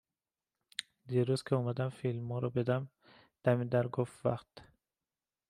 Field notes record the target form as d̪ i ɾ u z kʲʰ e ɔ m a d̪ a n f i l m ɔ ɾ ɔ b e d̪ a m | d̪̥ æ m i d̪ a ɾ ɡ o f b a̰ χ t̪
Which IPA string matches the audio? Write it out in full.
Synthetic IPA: d̪ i ɾ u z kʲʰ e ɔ m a d̪ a m f i l m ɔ ɾ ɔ b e d̪ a m | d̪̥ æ m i d̪ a ɾ ɡ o f v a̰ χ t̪